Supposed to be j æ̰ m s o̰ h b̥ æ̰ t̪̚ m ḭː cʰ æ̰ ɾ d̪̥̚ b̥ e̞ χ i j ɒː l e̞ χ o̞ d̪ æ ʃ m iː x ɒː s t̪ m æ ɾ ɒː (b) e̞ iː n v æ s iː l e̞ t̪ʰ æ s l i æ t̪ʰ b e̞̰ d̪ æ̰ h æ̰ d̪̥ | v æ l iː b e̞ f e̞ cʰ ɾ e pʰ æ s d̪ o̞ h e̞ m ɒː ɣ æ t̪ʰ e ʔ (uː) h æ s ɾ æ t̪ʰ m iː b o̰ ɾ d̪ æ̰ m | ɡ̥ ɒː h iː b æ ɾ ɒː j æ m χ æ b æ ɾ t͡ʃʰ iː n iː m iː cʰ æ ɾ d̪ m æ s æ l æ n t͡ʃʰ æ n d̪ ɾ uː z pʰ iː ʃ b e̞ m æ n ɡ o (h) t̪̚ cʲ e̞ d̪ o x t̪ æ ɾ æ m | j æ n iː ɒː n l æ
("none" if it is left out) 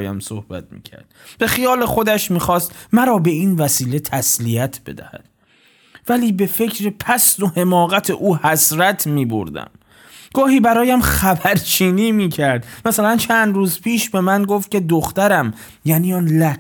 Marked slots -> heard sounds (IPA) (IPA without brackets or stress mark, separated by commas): b, uː, f